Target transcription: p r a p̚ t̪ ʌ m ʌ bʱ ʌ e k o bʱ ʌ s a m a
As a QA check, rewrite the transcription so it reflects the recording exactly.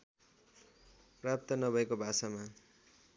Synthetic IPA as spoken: p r a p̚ t̪ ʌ n ʌ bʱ ʌ e k o bʱ a s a m a